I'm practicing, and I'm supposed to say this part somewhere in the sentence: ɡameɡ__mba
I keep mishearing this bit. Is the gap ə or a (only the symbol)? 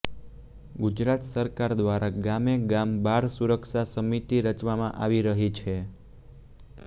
a